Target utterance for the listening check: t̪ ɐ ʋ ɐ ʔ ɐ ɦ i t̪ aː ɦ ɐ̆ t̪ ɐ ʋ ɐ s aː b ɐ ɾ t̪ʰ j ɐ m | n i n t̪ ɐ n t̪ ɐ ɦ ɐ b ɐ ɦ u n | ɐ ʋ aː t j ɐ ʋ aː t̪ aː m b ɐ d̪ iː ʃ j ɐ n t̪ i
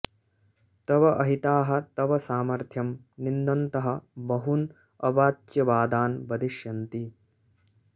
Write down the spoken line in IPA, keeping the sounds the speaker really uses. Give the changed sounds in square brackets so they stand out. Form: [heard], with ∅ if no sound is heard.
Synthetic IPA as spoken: t̪ ɐ ʋ ɐ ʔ ɐ ɦ i t̪ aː ɦ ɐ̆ t̪ ɐ ʋ ɐ s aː [m] ɐ ɾ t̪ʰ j ɐ m | n i n [d̪] ɐ n t̪ ɐ ɦ ɐ b ɐ ɦ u n | ɐ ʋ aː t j ɐ ʋ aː [d̪] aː [n] b ɐ d̪ [i] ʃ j ɐ n t̪ i